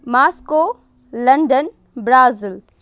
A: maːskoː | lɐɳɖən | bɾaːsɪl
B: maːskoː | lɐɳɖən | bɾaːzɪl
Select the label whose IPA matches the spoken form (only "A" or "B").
B